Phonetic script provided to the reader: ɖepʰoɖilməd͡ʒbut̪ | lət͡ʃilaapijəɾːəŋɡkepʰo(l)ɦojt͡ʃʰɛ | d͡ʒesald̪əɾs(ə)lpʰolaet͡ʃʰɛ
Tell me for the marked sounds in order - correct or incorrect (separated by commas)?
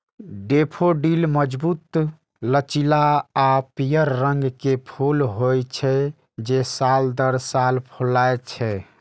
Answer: correct, incorrect